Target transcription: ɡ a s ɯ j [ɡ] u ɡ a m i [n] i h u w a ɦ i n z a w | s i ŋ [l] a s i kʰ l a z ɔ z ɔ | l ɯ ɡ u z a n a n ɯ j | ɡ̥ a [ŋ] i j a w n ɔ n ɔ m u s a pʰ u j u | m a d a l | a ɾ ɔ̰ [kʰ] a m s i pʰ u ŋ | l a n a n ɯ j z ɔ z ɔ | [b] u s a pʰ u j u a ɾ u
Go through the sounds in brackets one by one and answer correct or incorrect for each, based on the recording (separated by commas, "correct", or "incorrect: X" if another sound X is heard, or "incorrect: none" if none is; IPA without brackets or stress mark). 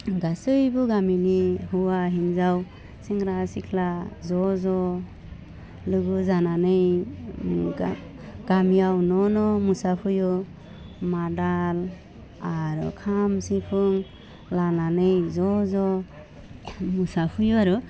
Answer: incorrect: b, correct, incorrect: ɾ, incorrect: m, correct, incorrect: m